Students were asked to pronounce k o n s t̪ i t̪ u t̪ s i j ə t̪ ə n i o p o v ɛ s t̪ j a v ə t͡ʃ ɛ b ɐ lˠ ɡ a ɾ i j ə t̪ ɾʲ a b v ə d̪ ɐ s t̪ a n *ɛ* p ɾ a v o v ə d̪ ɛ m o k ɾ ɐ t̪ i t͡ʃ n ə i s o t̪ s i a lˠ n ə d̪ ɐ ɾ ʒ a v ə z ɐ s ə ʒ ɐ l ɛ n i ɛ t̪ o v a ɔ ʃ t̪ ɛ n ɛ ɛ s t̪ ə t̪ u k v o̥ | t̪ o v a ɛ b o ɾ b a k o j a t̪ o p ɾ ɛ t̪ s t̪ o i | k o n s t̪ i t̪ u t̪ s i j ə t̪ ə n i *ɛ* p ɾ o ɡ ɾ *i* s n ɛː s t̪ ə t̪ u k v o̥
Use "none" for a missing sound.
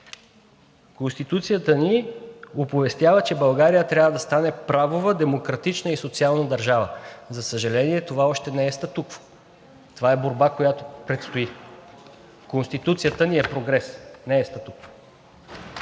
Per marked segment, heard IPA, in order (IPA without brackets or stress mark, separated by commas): ɛ, ɛ, ɛ